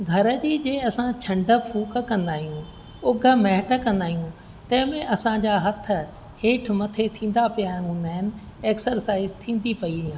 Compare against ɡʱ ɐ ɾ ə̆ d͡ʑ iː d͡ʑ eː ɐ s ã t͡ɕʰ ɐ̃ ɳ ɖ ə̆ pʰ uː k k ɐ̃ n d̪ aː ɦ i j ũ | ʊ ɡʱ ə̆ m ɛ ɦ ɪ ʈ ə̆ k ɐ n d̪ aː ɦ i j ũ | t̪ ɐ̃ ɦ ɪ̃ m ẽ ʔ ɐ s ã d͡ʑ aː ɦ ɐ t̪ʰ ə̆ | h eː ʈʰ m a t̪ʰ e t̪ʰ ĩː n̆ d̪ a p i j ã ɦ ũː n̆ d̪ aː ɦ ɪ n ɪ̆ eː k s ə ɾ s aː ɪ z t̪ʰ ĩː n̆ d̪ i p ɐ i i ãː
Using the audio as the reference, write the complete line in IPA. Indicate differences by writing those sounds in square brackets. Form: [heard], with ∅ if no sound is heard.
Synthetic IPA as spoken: ɡʱ ɐ ɾ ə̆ d͡ʑ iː d͡ʑ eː ɐ s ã t͡ɕʰ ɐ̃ ɳ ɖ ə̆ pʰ uː k k ɐ̃ n d̪ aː ɦ i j ũ | ʊ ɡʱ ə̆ m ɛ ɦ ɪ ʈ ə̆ k [ɐ̃] n d̪ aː ɦ i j ũ | t̪ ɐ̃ ɦ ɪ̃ m ẽ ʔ ɐ s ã d͡ʑ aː ɦ ɐ t̪ʰ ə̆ | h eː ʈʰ m [ɐ] t̪ʰ e t̪ʰ ĩː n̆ d̪ a p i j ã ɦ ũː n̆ d̪ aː ɦ ɪ n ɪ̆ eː k s ə ɾ s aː ɪ z t̪ʰ ĩː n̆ d̪ i p ɐ i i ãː